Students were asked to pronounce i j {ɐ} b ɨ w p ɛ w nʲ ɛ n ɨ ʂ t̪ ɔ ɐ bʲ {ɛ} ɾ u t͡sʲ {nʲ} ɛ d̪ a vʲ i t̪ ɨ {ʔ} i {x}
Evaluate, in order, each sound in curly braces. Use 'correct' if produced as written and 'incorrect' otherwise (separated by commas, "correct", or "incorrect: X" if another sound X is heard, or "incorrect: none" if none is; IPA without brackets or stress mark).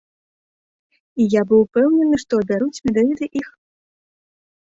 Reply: incorrect: a, incorrect: a, incorrect: mʲ, correct, correct